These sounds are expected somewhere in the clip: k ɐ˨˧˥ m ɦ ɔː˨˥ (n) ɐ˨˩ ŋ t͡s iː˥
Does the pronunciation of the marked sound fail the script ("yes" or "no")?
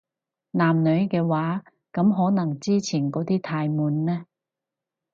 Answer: no